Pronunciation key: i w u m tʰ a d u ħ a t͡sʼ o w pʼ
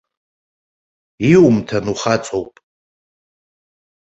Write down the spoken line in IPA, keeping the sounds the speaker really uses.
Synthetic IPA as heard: i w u m tʰ a n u χ a t͡sʼ o w pʼ